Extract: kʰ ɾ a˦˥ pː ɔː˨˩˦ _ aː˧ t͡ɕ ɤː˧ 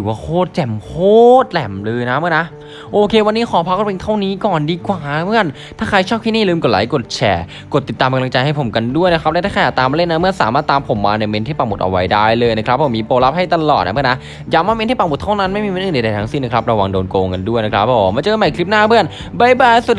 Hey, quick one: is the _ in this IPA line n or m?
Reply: m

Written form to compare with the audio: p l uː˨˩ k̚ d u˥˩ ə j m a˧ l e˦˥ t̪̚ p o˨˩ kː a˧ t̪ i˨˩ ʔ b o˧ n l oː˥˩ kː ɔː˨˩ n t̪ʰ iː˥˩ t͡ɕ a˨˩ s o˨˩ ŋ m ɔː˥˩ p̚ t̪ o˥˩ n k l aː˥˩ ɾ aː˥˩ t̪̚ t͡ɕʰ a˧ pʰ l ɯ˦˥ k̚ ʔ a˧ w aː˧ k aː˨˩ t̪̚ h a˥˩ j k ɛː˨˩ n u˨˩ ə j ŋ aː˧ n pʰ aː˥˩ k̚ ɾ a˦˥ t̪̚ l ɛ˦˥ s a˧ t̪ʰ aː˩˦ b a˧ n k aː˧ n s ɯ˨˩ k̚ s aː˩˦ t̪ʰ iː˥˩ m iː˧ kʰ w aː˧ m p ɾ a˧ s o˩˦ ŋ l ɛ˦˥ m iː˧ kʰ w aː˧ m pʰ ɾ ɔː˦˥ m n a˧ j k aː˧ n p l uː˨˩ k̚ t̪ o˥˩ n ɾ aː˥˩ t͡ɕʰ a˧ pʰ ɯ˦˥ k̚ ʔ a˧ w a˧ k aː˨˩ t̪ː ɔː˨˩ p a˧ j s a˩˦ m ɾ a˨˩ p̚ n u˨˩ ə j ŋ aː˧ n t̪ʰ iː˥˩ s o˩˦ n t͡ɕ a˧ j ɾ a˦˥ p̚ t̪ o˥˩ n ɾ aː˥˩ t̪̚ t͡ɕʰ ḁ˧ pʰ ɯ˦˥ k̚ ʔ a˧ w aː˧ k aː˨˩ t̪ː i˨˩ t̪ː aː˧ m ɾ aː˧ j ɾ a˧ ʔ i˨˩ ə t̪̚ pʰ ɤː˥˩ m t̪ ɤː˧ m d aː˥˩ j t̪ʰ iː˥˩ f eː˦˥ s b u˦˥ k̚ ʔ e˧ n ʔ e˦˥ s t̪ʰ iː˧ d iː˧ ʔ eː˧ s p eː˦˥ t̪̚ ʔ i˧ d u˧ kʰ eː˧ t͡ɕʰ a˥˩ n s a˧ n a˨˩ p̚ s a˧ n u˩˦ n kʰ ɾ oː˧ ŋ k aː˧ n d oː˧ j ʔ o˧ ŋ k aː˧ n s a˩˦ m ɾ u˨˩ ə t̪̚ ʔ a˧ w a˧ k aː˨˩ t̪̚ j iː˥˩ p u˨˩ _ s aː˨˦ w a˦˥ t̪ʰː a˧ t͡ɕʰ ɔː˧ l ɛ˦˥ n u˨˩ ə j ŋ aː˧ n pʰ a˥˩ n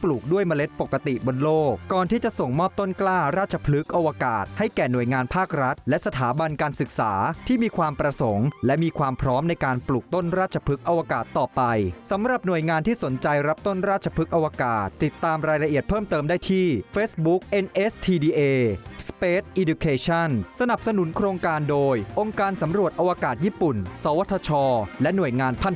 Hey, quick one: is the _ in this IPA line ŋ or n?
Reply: n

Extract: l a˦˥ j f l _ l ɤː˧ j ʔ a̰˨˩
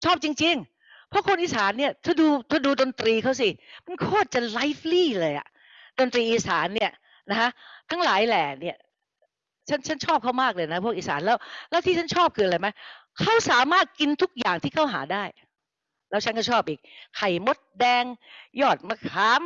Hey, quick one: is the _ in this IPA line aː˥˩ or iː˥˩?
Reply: iː˥˩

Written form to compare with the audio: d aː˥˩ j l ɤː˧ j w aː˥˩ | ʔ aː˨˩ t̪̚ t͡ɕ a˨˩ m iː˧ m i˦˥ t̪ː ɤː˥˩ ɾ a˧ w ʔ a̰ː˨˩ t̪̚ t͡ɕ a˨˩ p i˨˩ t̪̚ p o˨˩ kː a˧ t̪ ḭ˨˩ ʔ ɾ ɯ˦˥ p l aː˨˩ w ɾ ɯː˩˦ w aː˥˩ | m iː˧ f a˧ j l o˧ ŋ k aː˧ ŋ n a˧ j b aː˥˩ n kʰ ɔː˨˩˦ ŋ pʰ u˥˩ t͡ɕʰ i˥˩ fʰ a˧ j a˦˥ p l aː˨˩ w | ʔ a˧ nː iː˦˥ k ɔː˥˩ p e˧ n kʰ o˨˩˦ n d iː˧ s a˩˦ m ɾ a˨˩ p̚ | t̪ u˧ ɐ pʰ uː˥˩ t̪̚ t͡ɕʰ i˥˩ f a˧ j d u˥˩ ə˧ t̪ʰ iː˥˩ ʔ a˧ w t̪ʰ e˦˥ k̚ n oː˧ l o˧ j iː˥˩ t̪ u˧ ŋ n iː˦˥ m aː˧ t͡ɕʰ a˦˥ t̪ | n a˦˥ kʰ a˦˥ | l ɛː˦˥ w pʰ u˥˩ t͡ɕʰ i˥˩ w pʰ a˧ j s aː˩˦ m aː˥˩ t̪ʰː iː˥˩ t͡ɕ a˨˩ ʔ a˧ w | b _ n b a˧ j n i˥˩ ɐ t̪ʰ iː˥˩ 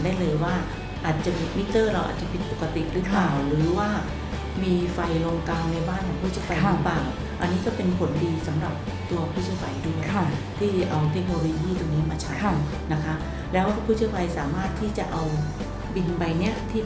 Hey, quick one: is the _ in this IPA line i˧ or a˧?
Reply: i˧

